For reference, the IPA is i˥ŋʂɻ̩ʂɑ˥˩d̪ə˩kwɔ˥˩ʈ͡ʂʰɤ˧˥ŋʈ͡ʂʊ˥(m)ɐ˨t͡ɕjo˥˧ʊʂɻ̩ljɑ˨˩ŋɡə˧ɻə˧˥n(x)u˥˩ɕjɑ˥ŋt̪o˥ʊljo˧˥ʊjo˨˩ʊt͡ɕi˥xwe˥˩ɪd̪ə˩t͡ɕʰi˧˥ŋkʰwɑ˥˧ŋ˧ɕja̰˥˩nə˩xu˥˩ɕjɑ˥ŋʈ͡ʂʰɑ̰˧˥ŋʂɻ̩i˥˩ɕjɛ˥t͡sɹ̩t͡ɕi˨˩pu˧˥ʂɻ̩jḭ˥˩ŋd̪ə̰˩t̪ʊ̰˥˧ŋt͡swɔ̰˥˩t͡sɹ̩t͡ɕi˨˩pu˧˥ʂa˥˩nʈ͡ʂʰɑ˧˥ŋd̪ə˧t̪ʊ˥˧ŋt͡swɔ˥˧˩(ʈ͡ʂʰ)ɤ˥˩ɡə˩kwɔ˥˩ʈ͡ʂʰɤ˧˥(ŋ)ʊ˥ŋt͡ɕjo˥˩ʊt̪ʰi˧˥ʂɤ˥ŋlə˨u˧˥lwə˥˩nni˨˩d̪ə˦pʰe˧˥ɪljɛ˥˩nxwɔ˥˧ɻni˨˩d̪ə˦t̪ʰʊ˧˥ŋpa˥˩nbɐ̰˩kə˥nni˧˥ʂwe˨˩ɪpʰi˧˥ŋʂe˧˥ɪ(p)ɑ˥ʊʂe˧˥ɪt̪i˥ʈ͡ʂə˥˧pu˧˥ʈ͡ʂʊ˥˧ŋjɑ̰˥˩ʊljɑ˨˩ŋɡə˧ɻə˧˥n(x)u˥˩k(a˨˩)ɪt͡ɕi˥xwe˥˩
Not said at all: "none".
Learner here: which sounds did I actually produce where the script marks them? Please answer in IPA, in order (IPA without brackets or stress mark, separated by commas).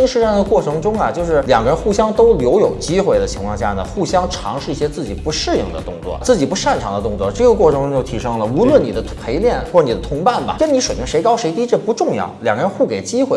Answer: ŋ, x, ʈ͡ʂ, ŋ, k, x, e˨˩